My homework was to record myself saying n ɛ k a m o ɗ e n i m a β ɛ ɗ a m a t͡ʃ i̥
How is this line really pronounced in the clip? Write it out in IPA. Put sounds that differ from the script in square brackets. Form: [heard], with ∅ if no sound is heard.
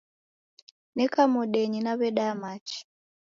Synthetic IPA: n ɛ k a m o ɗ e [ɲ] i [n] a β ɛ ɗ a m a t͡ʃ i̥